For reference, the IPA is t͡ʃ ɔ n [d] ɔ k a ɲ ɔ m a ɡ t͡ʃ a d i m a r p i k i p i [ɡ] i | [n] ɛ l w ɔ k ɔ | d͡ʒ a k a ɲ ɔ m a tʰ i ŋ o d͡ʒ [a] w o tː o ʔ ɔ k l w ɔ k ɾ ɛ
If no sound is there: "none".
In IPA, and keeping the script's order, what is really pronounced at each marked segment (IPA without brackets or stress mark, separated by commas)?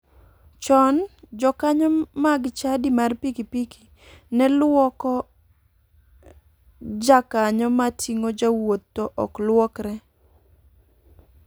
d͡ʒ, k, n, a